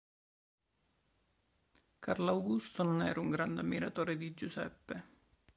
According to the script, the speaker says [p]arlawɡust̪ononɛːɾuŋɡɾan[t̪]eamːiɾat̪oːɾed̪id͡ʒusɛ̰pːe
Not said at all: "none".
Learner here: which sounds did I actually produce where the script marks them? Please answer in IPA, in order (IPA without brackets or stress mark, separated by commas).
k, d̪